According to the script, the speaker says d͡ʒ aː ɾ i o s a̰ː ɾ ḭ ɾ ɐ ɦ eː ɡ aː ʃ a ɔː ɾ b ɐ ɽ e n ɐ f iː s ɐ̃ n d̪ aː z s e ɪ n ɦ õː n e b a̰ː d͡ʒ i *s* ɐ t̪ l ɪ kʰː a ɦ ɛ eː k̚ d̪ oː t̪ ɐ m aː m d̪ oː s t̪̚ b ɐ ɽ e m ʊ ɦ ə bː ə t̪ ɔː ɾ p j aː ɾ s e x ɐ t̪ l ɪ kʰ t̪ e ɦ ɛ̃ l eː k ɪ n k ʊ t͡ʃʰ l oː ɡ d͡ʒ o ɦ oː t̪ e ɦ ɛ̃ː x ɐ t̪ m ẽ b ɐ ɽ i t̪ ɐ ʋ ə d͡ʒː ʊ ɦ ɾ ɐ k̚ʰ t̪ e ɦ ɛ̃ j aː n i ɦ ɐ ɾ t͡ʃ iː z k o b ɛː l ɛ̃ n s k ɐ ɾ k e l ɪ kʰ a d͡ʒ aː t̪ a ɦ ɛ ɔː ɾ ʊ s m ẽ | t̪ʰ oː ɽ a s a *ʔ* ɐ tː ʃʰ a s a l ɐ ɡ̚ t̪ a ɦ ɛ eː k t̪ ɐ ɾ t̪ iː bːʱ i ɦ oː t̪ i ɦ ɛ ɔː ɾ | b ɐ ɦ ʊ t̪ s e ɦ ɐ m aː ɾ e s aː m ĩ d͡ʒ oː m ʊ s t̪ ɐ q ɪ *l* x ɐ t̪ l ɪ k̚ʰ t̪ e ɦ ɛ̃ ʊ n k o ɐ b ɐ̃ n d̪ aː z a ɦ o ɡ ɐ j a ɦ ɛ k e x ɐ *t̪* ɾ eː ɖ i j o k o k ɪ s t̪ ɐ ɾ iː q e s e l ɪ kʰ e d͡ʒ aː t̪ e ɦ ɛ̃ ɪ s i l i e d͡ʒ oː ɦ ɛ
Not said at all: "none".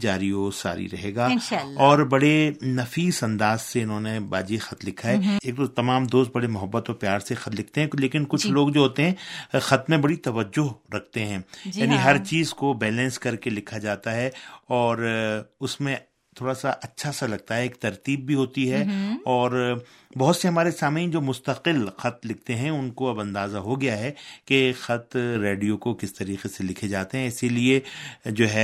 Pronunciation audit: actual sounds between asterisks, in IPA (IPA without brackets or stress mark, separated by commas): x, ʔ, l, t̪